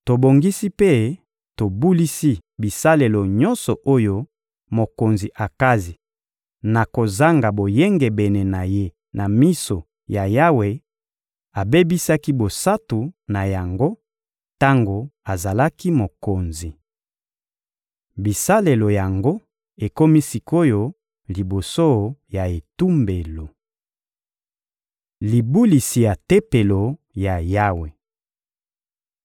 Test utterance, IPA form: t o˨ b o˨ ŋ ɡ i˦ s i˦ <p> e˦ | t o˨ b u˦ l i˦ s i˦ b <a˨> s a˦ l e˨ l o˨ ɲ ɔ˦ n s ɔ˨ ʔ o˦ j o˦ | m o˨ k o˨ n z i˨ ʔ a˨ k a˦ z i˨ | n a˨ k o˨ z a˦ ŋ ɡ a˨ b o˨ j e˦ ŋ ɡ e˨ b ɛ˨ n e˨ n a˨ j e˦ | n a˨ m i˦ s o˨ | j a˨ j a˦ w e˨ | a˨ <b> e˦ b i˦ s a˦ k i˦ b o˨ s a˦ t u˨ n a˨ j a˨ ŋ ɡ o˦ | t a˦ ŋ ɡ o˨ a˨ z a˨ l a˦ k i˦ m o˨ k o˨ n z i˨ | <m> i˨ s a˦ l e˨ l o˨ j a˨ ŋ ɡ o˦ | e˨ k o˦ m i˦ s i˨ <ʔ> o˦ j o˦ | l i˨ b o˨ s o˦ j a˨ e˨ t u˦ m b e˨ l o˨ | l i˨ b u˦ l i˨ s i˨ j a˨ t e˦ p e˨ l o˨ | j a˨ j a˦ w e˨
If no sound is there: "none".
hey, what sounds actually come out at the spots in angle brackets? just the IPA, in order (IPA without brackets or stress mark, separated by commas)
p, i˨, b, b, k